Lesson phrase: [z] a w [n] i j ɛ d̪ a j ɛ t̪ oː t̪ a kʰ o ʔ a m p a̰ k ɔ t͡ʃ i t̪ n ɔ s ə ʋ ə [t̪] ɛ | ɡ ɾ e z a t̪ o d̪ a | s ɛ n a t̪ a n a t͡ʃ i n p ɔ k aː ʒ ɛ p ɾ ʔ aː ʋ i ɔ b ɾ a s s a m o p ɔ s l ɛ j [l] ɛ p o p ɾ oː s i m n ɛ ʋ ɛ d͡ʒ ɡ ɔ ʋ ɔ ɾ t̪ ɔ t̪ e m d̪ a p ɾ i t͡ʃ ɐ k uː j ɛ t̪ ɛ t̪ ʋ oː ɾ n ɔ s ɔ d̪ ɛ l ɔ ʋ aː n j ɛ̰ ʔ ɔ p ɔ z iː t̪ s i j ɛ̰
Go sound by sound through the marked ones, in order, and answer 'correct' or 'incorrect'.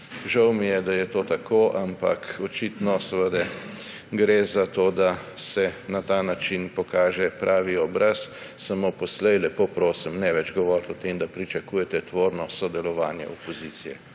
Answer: incorrect, incorrect, incorrect, correct

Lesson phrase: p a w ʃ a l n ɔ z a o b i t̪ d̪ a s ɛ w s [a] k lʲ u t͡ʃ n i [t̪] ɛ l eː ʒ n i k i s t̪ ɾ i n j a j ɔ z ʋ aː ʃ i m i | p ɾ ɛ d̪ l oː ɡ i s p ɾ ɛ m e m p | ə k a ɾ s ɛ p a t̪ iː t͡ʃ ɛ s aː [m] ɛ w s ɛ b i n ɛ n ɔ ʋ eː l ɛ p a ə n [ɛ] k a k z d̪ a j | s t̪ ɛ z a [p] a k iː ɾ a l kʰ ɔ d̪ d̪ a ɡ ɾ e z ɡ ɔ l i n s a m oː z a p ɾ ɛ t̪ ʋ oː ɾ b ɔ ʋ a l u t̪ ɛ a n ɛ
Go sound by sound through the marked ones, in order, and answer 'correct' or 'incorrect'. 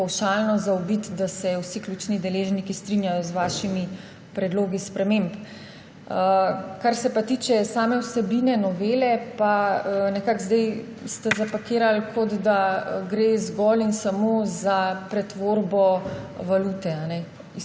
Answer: incorrect, incorrect, correct, correct, correct

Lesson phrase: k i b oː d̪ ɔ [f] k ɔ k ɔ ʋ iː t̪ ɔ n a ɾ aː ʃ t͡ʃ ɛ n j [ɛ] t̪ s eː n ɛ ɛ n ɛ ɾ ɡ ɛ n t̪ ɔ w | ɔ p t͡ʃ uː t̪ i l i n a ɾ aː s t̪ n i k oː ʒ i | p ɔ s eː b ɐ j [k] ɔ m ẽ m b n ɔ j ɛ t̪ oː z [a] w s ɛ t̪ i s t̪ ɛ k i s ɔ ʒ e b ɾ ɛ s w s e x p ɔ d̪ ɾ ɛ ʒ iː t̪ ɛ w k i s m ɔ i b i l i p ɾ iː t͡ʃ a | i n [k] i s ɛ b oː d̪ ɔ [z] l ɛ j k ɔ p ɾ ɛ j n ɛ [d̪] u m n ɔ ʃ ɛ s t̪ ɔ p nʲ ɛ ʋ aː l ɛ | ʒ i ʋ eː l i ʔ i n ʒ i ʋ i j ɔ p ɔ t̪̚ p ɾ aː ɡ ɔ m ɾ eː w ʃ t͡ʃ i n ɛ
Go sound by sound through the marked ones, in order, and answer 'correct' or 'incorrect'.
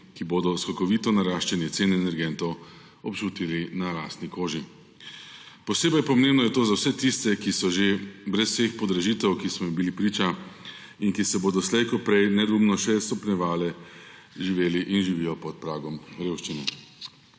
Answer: incorrect, correct, incorrect, correct, correct, incorrect, correct

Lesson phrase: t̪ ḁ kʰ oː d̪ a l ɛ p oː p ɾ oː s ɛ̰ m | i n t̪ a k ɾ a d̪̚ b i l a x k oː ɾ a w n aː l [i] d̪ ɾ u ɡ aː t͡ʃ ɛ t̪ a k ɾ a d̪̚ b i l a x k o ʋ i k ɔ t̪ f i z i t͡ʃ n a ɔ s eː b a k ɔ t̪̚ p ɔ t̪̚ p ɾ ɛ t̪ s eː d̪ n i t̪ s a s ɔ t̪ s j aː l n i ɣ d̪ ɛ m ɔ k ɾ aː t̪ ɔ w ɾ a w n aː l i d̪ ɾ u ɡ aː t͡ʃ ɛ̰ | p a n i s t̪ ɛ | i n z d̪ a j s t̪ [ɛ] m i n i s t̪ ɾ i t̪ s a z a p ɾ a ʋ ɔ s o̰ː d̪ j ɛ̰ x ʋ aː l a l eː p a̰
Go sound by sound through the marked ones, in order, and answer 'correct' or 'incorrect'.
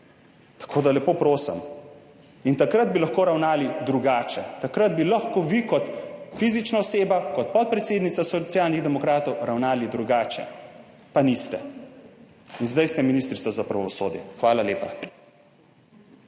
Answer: correct, correct

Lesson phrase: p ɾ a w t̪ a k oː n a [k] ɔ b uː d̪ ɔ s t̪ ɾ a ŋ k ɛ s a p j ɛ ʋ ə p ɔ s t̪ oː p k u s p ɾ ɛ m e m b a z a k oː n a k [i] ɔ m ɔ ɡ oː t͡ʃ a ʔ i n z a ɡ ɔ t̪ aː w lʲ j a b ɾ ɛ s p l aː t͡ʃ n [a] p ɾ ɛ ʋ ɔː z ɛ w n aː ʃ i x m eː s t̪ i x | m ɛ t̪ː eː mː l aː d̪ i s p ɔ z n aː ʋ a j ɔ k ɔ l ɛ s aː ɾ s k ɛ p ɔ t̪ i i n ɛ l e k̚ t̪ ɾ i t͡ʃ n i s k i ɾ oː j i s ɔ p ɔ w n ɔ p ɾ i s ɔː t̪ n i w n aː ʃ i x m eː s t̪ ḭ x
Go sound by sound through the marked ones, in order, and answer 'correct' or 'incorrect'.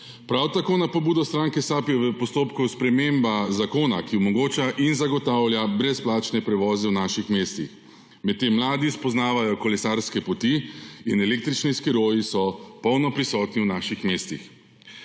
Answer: incorrect, correct, incorrect

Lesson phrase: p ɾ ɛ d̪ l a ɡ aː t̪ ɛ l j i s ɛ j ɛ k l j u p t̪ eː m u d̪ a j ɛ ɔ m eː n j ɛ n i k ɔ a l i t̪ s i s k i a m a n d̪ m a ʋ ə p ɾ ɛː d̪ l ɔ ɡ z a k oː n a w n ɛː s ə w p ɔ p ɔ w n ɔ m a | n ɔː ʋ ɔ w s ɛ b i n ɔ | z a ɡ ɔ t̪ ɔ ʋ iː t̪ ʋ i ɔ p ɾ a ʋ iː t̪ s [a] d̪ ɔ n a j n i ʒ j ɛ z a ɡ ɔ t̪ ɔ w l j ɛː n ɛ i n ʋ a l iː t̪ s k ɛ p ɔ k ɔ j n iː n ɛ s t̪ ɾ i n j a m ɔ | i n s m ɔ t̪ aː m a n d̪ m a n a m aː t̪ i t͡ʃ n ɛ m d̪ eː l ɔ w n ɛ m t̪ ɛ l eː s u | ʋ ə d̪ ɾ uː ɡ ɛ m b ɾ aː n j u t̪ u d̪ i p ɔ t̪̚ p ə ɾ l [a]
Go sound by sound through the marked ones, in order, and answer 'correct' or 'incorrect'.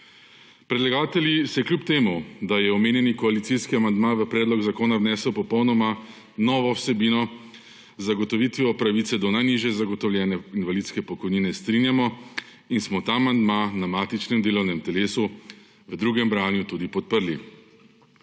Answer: incorrect, incorrect

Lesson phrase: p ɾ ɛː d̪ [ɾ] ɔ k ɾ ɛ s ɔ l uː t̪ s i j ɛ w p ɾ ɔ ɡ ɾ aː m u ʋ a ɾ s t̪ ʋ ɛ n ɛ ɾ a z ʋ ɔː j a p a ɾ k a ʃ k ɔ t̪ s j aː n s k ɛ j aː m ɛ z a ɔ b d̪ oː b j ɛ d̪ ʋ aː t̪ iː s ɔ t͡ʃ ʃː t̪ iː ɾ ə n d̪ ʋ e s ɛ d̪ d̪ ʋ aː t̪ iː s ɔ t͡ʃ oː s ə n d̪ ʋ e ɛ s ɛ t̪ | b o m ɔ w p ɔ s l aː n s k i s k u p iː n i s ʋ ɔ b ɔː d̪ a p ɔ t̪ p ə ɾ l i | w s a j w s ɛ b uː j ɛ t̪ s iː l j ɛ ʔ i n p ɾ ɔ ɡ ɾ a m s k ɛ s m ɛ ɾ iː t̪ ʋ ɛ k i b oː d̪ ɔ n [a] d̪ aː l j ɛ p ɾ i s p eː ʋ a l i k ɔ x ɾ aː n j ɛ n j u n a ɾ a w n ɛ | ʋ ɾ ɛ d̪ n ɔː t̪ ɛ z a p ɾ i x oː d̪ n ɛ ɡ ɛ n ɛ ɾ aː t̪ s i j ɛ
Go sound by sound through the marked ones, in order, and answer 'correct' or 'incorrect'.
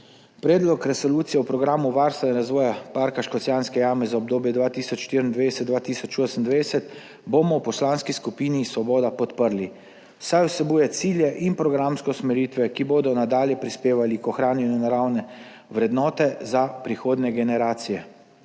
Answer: incorrect, correct

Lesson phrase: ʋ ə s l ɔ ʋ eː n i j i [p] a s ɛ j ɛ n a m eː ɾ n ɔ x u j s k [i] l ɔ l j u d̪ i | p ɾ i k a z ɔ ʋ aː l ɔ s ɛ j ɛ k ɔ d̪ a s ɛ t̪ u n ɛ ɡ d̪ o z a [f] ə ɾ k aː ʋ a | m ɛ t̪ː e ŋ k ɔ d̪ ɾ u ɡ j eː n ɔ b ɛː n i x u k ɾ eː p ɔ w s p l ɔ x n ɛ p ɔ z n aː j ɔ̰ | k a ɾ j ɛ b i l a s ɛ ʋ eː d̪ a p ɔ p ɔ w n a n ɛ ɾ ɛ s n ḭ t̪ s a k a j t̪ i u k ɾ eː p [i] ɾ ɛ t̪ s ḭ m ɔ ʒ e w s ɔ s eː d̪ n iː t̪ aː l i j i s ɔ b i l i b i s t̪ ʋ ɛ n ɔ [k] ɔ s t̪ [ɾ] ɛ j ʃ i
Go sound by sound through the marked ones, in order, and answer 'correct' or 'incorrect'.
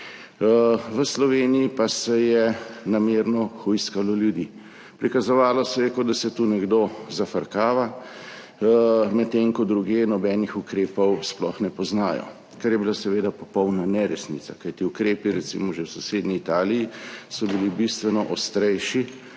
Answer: correct, incorrect, correct, correct, incorrect, correct

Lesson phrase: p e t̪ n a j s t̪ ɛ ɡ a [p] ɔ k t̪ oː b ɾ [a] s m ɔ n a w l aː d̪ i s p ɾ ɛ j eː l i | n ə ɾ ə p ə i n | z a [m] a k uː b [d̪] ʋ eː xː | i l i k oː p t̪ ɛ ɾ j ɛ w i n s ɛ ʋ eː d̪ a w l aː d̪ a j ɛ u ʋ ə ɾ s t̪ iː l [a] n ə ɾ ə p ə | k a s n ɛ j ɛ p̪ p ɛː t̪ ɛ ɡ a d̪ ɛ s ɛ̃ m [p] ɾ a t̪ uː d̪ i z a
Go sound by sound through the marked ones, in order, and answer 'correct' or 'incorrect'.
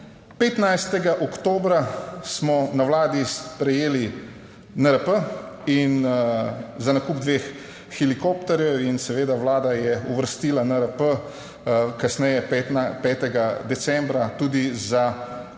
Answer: incorrect, correct, incorrect, correct, correct, incorrect

